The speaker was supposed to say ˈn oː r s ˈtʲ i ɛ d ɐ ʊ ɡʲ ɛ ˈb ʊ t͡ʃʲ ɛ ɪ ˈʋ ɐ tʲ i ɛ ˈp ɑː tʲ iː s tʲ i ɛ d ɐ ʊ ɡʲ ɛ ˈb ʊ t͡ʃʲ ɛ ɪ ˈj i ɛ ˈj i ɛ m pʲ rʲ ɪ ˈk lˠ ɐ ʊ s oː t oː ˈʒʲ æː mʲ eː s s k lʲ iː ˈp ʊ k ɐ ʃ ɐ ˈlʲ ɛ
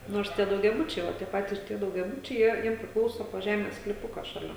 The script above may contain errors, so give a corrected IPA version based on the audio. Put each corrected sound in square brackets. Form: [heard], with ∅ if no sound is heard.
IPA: ˈn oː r s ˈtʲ i ɛ d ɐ ʊ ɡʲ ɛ ˈb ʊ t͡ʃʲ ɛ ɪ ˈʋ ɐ tʲ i ɛ ˈp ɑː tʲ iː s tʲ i ɛ d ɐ ʊ ɡʲ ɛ ˈb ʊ t͡ʃʲ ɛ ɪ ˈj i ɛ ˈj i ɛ m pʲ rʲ ɪ ˈk lˠ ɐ ʊ s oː [p] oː ˈʒʲ æː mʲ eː s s k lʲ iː ˈp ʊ k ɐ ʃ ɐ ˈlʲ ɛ